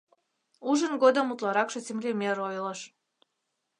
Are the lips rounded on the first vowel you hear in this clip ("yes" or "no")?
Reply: yes